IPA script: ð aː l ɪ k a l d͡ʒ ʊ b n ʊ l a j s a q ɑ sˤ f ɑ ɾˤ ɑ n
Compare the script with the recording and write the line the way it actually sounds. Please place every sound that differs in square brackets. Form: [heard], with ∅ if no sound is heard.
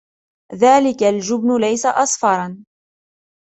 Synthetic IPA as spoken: ð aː l ɪ k a l d͡ʒ ʊ b n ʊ l a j s a [ʔ] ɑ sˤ f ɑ ɾˤ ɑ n